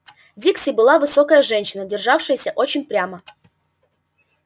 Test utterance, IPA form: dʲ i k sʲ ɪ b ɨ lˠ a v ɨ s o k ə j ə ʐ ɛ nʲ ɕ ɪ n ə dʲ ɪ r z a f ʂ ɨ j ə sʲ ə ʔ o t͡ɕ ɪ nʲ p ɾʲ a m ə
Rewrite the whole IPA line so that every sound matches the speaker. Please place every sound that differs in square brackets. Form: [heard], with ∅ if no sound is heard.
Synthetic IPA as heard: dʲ i k sʲ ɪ b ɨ lˠ a v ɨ s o k ə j ə ʐ ɛ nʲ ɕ ɪ n ə dʲ ɪ r [ʐ] a f ʂ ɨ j ə sʲ ə ʔ o t͡ɕ ɪ nʲ p ɾʲ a m ə